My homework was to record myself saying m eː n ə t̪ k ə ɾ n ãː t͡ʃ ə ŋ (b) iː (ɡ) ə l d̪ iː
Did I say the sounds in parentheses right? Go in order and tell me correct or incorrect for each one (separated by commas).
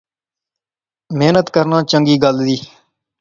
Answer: incorrect, correct